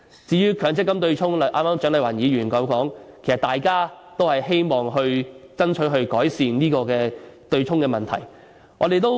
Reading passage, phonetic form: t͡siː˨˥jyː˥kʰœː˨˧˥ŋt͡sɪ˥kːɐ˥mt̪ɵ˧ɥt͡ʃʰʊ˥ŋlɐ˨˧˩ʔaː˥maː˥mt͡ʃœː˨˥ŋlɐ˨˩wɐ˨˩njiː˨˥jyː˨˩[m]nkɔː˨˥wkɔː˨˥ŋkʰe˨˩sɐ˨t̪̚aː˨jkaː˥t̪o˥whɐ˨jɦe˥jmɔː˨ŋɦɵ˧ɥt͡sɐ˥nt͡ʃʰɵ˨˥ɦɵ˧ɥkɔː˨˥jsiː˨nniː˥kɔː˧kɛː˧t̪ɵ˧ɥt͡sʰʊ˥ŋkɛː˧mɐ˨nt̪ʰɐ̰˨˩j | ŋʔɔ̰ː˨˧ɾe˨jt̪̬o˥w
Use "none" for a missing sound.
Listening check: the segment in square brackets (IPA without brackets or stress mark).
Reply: none